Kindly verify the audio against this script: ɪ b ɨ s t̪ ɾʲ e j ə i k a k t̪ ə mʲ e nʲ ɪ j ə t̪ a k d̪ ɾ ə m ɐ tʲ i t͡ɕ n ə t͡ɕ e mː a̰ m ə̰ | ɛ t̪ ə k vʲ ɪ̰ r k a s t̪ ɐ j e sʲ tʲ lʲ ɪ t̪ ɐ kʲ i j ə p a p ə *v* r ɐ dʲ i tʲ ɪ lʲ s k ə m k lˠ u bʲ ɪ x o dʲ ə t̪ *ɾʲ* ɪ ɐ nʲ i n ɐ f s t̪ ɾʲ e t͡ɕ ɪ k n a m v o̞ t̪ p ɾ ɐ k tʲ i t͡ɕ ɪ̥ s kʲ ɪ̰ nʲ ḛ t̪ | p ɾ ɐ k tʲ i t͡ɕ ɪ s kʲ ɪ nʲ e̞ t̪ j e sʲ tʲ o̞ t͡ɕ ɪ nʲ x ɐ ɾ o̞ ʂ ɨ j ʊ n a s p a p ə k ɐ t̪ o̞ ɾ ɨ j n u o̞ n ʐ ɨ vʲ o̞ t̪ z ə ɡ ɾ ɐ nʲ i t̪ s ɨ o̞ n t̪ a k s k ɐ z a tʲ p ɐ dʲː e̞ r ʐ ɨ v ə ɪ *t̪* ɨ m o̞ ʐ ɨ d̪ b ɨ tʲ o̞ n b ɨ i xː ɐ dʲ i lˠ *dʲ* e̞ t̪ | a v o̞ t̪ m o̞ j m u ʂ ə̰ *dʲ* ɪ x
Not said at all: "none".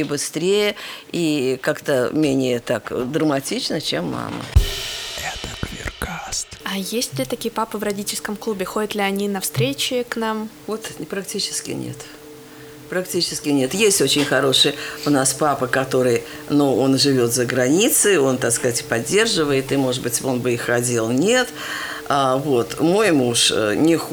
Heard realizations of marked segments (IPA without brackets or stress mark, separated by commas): v, lʲ, t̪, nʲ, nʲ